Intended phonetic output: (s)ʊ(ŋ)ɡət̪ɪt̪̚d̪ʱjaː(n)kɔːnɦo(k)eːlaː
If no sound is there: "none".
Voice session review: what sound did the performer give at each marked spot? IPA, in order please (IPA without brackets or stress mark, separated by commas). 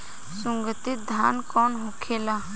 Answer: s, ŋ, n, kʰ